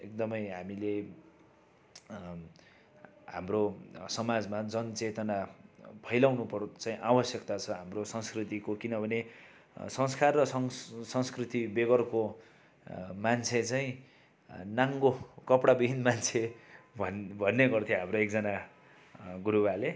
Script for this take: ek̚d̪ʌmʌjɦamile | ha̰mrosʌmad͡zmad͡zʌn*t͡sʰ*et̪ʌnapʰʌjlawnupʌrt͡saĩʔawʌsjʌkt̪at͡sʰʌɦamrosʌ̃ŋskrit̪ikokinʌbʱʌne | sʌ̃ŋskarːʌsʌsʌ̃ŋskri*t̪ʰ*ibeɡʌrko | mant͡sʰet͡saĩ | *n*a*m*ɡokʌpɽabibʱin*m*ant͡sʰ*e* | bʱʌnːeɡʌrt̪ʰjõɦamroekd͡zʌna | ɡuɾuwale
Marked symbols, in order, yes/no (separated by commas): no, no, yes, no, yes, yes